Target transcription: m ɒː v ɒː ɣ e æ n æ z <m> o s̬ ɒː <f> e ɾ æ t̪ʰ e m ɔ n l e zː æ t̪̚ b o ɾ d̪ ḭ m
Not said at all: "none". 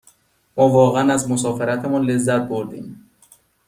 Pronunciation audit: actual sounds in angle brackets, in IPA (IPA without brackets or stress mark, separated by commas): m, f